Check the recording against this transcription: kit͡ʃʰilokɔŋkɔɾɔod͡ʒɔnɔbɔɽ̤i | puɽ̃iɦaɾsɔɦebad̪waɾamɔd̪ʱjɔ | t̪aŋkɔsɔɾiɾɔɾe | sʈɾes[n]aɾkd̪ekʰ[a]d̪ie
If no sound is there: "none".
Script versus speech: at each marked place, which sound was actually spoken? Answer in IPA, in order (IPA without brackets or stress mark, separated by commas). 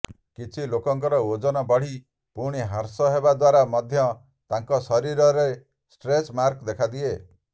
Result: m, a